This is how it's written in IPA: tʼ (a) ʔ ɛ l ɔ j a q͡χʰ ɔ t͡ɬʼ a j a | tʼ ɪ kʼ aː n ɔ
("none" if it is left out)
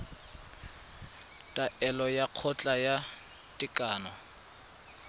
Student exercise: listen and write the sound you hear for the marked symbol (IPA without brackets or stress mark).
a